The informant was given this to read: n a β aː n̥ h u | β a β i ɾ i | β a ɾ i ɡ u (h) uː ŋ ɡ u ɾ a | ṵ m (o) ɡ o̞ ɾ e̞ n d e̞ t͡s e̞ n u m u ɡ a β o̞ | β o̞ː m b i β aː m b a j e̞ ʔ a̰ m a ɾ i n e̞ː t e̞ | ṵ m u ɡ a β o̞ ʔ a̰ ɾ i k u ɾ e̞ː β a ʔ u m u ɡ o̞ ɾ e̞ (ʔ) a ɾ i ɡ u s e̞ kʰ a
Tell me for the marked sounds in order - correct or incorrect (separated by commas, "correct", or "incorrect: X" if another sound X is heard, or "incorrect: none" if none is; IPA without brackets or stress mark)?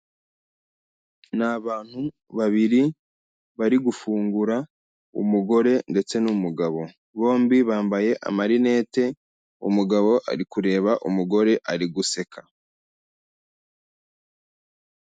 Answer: incorrect: f, incorrect: u, correct